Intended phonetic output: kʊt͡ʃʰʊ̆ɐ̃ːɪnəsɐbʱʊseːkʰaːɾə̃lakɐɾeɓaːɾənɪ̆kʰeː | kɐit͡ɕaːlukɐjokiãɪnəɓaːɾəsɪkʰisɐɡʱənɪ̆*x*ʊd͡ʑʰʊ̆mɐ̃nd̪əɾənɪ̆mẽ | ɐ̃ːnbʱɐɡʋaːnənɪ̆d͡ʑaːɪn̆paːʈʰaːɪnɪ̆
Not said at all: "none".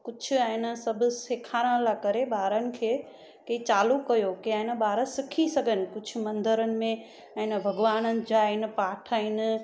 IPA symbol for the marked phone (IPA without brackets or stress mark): k